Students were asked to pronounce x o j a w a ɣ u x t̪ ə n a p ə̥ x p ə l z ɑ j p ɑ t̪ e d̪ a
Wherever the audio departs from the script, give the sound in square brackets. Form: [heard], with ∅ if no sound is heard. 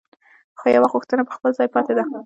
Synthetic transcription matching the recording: x o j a w a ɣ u x t̪ ə n a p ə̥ x p ə l z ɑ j p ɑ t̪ e d̪ a